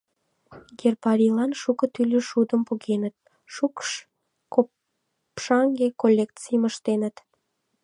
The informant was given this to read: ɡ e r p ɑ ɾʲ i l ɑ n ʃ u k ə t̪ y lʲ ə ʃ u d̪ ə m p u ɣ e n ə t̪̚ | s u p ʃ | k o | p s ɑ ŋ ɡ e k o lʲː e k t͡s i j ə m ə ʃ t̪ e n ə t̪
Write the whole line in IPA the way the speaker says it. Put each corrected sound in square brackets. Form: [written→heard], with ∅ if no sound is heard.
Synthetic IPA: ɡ e r p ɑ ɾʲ i l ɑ n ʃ u k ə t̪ y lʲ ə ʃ u d̪ ə m p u ɣ e n ə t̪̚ | [s→ʃ] u [p→k] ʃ | k o | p [s→ʃ] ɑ ŋ ɡ e k o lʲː e k t͡s i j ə m ə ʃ t̪ e n ə t̪